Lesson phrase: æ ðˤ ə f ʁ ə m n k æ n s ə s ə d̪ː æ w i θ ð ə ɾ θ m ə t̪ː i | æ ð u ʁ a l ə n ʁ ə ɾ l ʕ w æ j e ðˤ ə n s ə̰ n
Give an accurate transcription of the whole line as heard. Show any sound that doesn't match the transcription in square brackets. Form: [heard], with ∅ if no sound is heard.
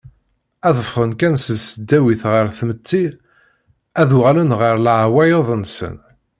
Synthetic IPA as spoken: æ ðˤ ə f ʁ ə [∅] n k æ n s ə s ə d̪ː æ w i θ [ʁ] ə ɾ θ m ə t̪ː i | æ ð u ʁ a l ə n ʁ ə ɾ l ʕ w æ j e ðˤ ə n s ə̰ n